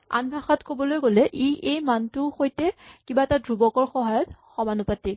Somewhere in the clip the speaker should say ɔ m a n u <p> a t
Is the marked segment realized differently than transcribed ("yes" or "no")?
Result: no